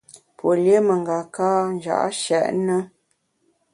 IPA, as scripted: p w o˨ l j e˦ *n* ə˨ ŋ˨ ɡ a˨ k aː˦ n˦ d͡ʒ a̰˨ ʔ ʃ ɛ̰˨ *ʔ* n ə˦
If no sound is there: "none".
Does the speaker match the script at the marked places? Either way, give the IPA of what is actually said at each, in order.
m, ʔ

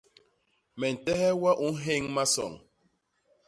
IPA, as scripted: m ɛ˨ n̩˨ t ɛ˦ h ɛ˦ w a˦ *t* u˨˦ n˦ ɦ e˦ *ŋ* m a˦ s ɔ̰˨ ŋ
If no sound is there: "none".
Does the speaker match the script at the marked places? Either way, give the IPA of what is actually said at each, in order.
ʔ, ŋ

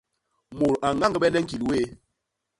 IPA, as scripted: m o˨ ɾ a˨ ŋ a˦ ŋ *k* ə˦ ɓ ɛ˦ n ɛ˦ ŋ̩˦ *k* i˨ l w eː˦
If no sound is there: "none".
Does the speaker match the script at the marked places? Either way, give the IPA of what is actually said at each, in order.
ɡ, k

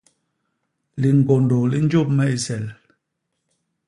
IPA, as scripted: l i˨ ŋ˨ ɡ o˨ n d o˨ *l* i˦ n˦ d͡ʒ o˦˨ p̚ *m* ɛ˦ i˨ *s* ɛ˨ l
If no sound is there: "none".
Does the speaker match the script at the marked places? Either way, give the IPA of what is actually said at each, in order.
l, m, s

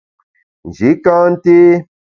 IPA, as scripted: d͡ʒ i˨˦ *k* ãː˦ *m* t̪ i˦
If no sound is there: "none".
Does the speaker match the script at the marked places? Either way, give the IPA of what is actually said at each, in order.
k, n

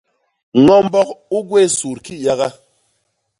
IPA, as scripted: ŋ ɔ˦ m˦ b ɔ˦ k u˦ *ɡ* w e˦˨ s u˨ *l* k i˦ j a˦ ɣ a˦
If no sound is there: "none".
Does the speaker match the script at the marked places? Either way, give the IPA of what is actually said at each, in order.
ɡ, ɾ

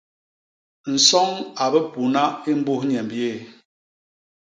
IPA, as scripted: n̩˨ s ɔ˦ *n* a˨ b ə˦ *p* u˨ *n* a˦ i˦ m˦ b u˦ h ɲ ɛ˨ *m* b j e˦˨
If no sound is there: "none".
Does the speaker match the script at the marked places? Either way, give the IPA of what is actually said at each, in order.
ŋ, p, n, m

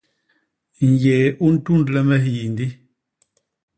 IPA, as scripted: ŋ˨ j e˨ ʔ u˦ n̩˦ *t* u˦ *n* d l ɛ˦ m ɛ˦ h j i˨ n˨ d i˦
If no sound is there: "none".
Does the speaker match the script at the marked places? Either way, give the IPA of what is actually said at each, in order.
t, n

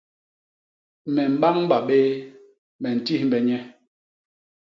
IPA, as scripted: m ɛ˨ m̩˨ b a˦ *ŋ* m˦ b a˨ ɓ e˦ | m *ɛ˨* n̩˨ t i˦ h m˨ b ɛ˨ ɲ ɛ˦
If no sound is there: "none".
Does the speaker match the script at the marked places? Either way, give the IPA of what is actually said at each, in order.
ŋ, ɛ˨

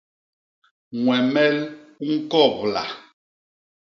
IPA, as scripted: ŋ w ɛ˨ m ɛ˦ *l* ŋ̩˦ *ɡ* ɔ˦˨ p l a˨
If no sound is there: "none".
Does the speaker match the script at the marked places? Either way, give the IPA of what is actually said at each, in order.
l, k

